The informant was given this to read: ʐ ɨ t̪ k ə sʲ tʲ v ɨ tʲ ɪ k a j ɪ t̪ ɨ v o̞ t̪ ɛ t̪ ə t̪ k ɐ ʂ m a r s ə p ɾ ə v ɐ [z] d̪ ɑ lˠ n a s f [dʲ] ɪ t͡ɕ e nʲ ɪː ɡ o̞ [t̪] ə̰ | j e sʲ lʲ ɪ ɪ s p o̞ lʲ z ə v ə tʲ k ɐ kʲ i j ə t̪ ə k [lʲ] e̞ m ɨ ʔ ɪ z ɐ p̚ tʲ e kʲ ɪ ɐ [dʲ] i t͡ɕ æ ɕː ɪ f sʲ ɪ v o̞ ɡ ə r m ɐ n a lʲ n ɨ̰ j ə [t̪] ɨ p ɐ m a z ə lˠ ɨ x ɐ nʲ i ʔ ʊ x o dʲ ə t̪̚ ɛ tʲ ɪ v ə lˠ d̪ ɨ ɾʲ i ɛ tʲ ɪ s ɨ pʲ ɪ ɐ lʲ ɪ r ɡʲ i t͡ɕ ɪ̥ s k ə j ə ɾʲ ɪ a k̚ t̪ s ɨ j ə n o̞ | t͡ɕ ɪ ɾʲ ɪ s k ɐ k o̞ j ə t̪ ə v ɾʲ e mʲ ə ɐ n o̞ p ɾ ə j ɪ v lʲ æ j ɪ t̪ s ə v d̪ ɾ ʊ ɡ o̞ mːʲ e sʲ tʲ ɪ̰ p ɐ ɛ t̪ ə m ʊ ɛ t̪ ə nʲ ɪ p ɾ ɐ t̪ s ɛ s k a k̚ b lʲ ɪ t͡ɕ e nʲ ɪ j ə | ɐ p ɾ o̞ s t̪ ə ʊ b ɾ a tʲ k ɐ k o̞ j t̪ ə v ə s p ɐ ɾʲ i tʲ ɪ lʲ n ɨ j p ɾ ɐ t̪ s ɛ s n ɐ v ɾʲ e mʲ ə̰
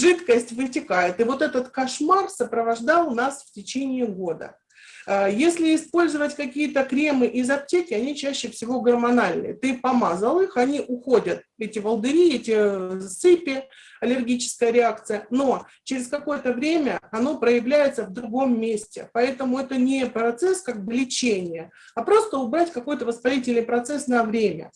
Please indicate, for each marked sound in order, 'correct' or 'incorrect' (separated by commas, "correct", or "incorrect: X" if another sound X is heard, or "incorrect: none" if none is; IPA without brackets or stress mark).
incorrect: ʐ, incorrect: tʲ, incorrect: d̪, incorrect: ɾʲ, incorrect: nʲ, correct